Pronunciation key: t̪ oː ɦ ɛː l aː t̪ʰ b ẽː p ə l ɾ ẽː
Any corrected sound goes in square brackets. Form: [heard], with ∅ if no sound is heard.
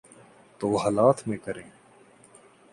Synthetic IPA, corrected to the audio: t̪ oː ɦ [aː] l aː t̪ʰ [m] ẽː [k] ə [∅] ɾ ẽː

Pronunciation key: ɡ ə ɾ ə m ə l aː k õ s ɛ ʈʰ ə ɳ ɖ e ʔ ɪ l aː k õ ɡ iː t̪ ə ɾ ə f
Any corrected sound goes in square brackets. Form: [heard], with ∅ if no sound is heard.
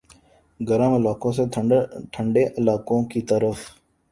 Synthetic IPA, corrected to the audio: ɡ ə ɾ ə m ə l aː k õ s [e] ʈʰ ə ɳ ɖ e ʔ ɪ l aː k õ [k] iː t̪ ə ɾ ə f

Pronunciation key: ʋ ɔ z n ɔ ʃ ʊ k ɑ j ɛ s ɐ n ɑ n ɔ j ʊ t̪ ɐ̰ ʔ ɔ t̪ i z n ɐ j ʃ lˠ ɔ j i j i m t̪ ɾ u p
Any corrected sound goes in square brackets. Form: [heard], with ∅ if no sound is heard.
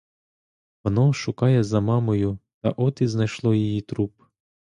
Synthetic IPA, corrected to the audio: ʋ ɔ [∅] n ɔ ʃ ʊ k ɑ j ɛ [z] ɐ [m] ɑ [m] ɔ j ʊ t̪ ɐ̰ ʔ ɔ t̪ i z n ɐ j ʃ lˠ ɔ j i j i [∅] t̪ ɾ u p

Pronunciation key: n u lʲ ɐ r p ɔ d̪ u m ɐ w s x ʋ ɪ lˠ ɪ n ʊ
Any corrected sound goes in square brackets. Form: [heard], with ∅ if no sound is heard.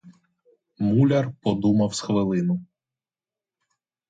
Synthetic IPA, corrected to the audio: [m] u lʲ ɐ r p ɔ d̪ u m ɐ w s x ʋ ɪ lˠ ɪ n ʊ

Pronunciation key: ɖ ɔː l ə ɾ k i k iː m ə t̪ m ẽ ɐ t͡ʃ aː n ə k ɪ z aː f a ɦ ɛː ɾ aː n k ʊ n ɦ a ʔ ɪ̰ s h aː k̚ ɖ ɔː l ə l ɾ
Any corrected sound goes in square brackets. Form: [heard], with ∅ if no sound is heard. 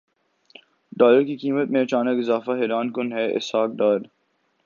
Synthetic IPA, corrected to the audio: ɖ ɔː l ə ɾ k i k iː m ə t̪ m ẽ ɐ t͡ʃ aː n ə k ɪ z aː f a ɦ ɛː ɾ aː n k ʊ n ɦ [ɛ] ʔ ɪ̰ s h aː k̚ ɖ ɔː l ə [∅] ɾ

